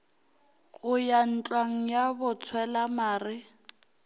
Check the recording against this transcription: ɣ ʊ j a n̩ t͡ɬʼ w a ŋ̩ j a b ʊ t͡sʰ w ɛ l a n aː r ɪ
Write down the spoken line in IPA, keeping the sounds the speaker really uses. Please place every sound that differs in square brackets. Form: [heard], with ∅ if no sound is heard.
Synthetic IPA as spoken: ɣ ʊ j a n̩ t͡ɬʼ w a ŋ̩ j a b ʊ t͡sʰ w ɛ l a [m] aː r ɪ